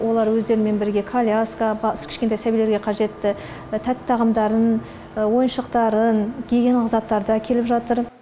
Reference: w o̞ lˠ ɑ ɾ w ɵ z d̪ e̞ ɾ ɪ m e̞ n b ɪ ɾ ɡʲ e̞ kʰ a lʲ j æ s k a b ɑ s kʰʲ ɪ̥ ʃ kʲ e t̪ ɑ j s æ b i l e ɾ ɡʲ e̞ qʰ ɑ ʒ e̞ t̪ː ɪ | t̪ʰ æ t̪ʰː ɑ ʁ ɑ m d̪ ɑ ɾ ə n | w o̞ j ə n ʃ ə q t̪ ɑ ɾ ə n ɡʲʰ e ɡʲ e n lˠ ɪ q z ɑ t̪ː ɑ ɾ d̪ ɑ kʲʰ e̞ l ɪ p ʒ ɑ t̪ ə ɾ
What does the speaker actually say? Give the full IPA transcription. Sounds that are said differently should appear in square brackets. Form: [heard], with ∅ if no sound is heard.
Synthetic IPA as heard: w o̞ lˠ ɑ ɾ w ɵ z d̪ e̞ ɾ ɪ m e̞ n b ɪ ɾ ɡʲ e̞ kʰ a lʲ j [a] s k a b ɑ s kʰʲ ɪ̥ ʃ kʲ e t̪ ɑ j s æ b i l e ɾ ɡʲ e̞ qʰ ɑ ʒ e̞ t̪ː ɪ | t̪ʰ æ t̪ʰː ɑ ʁ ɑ m d̪ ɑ ɾ ə n | w o̞ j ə n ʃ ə q t̪ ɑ ɾ ə n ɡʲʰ e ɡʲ e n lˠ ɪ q z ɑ t̪ː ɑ ɾ d̪ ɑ kʲʰ e̞ l ɪ p ʒ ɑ t̪ ə ɾ